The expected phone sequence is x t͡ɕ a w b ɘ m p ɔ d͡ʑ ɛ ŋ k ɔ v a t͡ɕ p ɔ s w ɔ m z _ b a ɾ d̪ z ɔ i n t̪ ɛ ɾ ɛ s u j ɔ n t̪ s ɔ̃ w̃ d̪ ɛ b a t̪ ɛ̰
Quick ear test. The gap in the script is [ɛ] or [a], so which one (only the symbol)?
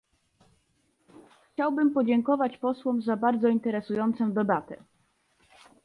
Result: a